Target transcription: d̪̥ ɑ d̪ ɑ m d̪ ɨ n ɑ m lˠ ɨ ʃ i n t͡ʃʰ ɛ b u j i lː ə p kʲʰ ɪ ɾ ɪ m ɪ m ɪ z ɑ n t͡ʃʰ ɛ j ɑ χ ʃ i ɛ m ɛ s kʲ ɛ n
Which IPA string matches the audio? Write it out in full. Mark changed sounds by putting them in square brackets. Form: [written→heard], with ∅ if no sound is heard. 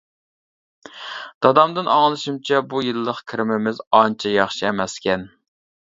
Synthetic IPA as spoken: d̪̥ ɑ d̪ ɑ m d̪ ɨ n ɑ [m→ŋ] lˠ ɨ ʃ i [n→m] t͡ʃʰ ɛ b u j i lː ə [p→q] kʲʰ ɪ ɾ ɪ m ɪ m ɪ z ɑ n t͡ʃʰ ɛ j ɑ χ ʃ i ɛ m ɛ s kʲ ɛ n